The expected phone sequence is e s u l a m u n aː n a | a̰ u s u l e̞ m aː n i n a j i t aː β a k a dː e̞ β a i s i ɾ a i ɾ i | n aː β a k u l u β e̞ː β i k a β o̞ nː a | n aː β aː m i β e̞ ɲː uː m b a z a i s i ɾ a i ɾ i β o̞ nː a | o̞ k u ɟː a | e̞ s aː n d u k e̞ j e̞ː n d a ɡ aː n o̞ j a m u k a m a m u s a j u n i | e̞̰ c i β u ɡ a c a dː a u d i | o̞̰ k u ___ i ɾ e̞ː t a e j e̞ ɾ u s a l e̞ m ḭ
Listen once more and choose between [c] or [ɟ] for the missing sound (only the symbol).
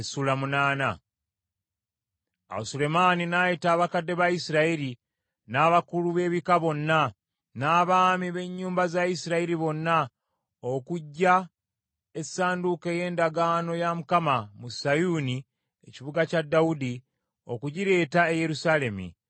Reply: ɟ